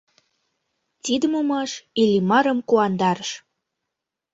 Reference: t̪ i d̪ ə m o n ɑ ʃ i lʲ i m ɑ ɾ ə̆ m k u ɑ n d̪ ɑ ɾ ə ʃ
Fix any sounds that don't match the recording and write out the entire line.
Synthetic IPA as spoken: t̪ i d̪ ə m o m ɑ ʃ i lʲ i m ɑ ɾ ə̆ m k u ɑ n d̪ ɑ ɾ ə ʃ